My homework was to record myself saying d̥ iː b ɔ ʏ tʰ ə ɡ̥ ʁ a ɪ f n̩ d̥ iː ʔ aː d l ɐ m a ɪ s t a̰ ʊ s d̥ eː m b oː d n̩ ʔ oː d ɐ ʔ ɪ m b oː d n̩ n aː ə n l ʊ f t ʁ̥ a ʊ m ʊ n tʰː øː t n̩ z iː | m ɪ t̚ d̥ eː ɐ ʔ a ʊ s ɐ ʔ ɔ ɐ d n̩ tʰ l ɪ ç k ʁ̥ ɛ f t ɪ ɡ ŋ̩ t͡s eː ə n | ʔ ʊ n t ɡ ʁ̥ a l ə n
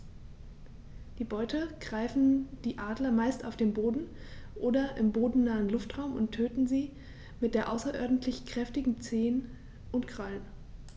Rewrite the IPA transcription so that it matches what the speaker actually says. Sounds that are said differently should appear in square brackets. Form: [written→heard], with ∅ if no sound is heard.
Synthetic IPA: d̥ iː b ɔ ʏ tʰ ə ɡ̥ ʁ a ɪ f n̩ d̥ iː ʔ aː d l ɐ m a ɪ s t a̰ ʊ [s→f] d̥ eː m b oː d n̩ ʔ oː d ɐ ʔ ɪ m b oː d n̩ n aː ə n l ʊ f t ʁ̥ a ʊ m ʊ n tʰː øː t n̩ z iː | m ɪ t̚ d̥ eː ɐ ʔ a ʊ s ɐ ʔ ɔ ɐ d n̩ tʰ l ɪ ç k ʁ̥ ɛ f t ɪ ɡ ŋ̩ t͡s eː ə n | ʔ ʊ n t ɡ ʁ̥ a l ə n

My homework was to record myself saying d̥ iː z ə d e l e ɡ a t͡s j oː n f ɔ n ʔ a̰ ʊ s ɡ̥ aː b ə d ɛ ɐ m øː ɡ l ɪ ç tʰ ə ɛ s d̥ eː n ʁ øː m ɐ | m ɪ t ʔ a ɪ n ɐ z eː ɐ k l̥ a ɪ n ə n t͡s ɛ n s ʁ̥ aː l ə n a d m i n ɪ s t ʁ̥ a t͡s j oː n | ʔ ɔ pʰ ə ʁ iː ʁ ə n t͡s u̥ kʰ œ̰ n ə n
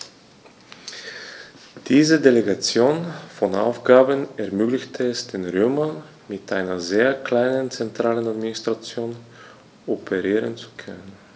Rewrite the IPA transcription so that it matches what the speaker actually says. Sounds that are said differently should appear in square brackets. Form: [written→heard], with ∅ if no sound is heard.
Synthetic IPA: d̥ iː z ə d e l e ɡ a t͡s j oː n f ɔ n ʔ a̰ ʊ [s→f] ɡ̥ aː b ə [d→n] ɛ ɐ m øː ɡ l ɪ ç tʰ ə ɛ s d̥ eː n ʁ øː m ɐ | m ɪ t ʔ a ɪ n ɐ z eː ɐ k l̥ a ɪ n ə n t͡s ɛ n [s→t] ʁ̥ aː l ə n a d m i n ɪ s t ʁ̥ a t͡s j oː n | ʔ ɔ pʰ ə ʁ iː ʁ ə n t͡s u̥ kʰ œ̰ n ə n

